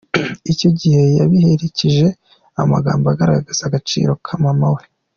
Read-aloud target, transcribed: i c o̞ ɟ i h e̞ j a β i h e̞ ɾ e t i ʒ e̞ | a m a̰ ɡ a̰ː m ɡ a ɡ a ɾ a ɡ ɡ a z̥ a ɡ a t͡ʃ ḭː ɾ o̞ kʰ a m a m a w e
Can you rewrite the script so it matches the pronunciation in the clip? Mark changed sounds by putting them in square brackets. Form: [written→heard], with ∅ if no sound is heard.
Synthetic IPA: i c o̞ ɟ i h e̞ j a β i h e̞ ɾ e [t→c] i ʒ e̞ | a m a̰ ɡ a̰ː m [ɡ→b] a ɡ a ɾ a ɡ ɡ a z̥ a ɡ a t͡ʃ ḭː ɾ o̞ kʰ a m a m a w e